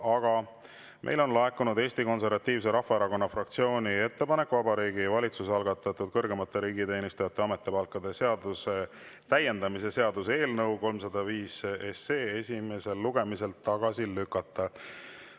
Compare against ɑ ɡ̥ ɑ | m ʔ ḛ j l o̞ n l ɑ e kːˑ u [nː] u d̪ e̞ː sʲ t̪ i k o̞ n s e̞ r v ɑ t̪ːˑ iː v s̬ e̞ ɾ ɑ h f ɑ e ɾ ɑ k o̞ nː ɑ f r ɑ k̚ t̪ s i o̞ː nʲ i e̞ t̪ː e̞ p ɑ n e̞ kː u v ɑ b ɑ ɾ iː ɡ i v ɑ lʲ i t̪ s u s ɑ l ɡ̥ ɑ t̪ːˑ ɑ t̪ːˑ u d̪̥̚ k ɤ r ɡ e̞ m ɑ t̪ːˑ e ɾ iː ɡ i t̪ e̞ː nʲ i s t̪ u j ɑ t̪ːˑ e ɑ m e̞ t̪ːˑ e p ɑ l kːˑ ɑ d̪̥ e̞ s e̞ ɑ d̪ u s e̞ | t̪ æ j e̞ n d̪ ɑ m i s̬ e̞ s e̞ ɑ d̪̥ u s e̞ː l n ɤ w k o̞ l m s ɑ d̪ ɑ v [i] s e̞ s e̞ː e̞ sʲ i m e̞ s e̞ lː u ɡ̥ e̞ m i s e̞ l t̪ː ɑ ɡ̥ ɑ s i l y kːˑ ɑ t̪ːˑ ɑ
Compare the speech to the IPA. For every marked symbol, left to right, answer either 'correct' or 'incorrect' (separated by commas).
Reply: incorrect, incorrect